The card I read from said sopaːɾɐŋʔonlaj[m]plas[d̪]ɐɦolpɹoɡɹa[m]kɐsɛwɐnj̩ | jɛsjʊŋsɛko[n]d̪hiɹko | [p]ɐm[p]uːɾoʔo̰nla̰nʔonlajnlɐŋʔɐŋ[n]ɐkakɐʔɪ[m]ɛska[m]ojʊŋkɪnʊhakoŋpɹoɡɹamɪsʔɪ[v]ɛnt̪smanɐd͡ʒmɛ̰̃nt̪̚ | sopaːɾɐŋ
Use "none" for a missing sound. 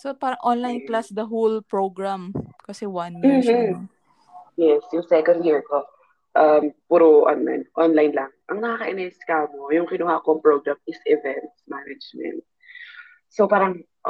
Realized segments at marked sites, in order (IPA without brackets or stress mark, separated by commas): n, d̪, m, n, ʔ, p, n, n, m, v